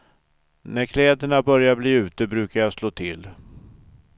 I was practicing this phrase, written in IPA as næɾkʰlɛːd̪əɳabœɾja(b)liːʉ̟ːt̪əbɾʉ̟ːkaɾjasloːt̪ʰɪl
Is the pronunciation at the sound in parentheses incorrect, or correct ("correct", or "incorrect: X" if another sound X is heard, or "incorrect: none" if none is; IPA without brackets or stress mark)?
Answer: correct